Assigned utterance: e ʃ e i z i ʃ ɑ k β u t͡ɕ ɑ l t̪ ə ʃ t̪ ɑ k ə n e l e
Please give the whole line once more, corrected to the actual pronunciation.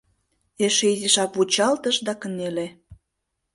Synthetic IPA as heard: e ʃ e i z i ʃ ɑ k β u t͡ɕ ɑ l t̪ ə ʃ d̪ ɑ k ə n e l e